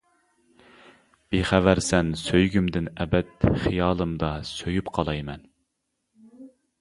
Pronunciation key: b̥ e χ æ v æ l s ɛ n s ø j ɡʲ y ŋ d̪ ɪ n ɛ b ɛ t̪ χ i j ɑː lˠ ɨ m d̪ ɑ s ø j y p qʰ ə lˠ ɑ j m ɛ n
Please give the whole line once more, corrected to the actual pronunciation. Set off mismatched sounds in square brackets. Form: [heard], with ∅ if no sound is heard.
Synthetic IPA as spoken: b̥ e χ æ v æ [ɾ] s ɛ n s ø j ɡʲ y [m] d̪ ɪ n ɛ b ɛ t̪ χ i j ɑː lˠ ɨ m d̪ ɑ s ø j y p qʰ [ɑ] lˠ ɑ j m ɛ n